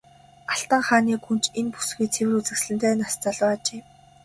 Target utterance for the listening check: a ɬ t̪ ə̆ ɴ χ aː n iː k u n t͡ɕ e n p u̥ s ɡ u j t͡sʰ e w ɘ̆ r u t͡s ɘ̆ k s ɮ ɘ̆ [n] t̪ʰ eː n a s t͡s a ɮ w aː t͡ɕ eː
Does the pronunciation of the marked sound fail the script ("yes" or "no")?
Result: no